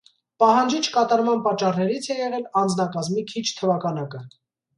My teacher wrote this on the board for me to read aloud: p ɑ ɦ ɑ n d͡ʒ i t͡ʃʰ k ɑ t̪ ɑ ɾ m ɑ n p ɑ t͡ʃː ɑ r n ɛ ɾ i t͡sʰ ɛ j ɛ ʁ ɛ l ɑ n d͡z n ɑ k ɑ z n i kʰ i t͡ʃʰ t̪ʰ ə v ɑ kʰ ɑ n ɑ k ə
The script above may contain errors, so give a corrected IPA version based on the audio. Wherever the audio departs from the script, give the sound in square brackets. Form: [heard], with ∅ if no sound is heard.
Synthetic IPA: p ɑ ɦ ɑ n d͡ʒ i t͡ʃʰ k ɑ t̪ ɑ ɾ m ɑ n p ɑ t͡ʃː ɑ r n ɛ ɾ i t͡sʰ ɛ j ɛ ʁ ɛ l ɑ n d͡z n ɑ k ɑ z [m] i kʰ i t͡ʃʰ t̪ʰ ə v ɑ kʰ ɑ n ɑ k ə